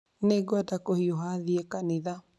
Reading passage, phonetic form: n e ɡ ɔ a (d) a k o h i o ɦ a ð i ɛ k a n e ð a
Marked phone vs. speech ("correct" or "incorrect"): correct